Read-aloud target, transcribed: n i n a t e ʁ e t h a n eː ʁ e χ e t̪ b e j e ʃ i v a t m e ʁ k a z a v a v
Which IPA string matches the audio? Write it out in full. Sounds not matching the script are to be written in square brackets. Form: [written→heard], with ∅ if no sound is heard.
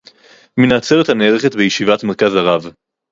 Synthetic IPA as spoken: [n→m] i n a [t→t͡s] e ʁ e t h a n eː ʁ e χ e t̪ b e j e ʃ i v a t m e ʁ k a z a [v→ʁ] a v